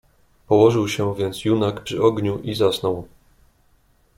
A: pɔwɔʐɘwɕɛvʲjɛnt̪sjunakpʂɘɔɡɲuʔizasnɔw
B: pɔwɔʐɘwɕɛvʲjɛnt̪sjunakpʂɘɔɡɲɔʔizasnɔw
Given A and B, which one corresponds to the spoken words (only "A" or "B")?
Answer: A